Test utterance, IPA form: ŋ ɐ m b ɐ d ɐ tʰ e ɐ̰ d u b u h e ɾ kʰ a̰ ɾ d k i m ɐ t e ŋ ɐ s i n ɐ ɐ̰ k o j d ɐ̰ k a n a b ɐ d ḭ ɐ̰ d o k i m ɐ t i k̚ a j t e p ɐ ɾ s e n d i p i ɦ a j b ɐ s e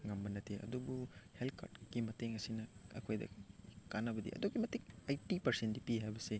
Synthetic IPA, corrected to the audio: ŋ ɐ m b ɐ n ɐ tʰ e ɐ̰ d u b u h e l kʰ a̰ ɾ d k i m ɐ t e ŋ ɐ s i n ɐ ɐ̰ kʰ o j d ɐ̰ k a n ɐ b ɐ d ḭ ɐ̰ d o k i m ɐ t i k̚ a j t i p ɐ ɾ s e n d i p i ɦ a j b ɐ s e